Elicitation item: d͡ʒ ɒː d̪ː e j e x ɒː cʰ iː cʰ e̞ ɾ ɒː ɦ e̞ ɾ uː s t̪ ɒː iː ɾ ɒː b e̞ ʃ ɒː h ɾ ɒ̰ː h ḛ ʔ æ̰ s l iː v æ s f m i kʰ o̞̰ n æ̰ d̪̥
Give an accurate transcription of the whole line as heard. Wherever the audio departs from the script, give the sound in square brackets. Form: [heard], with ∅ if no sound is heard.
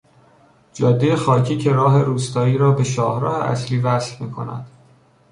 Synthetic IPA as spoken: d͡ʒ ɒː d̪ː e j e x ɒː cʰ iː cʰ e̞ ɾ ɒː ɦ e̞ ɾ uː s t̪ ɒː iː ɾ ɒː b e̞ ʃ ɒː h ɾ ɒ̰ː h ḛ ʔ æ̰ s l iː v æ s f m [iː] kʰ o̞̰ n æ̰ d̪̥

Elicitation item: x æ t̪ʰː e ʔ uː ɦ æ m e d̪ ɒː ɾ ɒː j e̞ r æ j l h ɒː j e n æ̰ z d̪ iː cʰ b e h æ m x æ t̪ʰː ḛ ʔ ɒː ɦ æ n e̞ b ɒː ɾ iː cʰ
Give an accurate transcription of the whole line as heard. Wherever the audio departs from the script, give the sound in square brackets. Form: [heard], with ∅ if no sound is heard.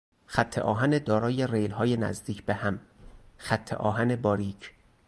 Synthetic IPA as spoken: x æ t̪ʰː e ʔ [ɒː] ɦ æ [n] e d̪ ɒː ɾ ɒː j e̞ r [e] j l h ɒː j e n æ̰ z d̪ iː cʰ b e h æ m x æ t̪ʰː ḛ ʔ ɒː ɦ æ n e̞ b ɒː ɾ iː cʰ

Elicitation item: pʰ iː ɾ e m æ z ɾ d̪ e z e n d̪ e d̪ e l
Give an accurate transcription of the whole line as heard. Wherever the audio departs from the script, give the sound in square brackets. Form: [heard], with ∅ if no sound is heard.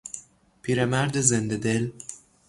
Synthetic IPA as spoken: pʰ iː ɾ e m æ [∅] ɾ d̪ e z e n d̪ e d̪ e l

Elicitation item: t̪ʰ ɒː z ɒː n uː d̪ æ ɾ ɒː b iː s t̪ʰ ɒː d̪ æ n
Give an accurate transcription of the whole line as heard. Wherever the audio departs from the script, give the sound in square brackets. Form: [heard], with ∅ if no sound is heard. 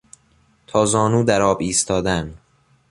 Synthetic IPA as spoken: t̪ʰ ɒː z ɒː n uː d̪ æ ɾ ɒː b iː s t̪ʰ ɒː d̪ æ n

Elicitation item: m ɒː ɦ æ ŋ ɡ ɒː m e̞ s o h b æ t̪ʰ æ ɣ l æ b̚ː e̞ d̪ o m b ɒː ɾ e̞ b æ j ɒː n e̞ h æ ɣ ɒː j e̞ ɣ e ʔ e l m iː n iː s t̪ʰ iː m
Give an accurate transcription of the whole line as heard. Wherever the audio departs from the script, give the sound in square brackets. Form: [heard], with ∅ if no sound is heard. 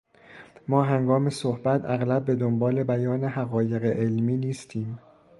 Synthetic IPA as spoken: m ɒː ɦ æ ŋ ɡ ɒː m e̞ s o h b æ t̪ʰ æ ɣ l æ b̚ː e̞ d̪ o m b ɒː [l] e̞ b æ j ɒː n e̞ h æ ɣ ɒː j e̞ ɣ e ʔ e l m iː n iː s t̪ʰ iː m

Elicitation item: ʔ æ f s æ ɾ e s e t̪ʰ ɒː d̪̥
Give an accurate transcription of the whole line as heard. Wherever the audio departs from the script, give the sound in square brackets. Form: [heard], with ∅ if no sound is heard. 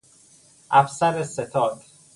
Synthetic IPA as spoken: ʔ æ f s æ ɾ e s e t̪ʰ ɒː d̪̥

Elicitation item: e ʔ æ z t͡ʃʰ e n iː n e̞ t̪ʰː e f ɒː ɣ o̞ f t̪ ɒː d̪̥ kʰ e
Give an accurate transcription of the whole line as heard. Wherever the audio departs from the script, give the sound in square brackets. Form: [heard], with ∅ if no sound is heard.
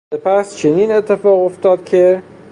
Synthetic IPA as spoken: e [p] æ [s] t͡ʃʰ e n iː n e̞ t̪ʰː e f ɒː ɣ o̞ f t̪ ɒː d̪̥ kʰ e

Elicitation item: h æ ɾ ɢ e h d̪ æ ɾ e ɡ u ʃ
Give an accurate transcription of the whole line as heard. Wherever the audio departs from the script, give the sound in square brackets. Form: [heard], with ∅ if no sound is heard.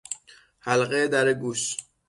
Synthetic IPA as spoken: h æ [l] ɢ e [∅] d̪ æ ɾ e ɡ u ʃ

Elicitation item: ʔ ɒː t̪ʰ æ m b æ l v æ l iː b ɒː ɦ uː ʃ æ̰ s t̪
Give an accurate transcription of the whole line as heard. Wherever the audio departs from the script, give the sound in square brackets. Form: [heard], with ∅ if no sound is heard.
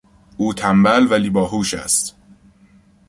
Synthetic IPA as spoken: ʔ [uː] t̪ʰ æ m b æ l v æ l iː b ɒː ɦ uː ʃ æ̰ s t̪

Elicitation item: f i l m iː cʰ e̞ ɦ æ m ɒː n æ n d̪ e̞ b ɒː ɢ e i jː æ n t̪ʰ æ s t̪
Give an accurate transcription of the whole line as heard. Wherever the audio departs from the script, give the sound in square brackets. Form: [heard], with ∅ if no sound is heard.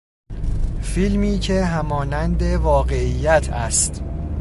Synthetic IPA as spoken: f i l m iː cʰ e̞ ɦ æ m ɒː n æ n d̪ e̞ [v] ɒː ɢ e i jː æ [∅] t̪ʰ æ s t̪

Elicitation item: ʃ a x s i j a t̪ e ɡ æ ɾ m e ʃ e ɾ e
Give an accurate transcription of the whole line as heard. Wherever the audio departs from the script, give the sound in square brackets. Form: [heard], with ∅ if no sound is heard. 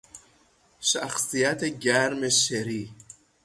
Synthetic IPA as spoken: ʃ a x s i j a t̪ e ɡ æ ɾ m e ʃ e ɾ [i]

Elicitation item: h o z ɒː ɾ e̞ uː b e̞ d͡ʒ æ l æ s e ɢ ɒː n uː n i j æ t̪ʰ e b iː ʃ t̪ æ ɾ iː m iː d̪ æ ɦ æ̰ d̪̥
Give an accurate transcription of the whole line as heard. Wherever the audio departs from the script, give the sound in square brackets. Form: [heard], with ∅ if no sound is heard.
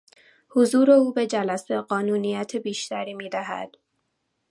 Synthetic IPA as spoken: h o z [uː] ɾ e̞ uː b e̞ d͡ʒ æ l æ s e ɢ ɒː n uː n i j æ t̪ʰ e b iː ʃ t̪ æ ɾ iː m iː d̪ æ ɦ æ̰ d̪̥

